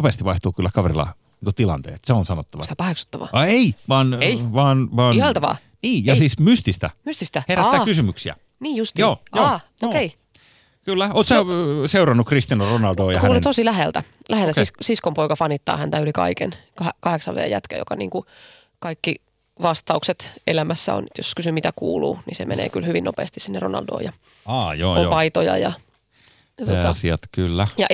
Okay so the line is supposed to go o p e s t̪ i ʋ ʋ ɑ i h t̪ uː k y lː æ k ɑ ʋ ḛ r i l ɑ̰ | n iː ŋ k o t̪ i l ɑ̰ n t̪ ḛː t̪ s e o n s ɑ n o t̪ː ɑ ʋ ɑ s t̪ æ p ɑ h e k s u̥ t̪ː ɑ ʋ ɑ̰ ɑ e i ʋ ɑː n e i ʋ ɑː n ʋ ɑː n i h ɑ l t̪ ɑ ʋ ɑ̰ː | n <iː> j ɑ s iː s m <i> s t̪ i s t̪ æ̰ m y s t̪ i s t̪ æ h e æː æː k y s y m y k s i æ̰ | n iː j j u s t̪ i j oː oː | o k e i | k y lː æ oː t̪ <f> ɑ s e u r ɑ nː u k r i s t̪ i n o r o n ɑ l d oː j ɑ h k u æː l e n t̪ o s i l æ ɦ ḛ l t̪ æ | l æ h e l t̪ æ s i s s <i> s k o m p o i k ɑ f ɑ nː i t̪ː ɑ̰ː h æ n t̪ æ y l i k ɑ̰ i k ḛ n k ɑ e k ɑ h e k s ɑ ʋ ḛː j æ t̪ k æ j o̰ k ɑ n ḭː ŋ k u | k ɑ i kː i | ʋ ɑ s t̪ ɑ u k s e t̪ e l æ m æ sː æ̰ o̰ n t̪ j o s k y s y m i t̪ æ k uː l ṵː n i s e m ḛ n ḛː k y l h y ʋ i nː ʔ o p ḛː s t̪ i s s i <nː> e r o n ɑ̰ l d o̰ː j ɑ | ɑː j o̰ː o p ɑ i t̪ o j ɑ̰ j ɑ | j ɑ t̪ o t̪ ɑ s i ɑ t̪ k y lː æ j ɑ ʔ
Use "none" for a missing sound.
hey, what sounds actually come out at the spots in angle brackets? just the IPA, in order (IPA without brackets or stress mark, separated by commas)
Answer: iː, y, s, i, nː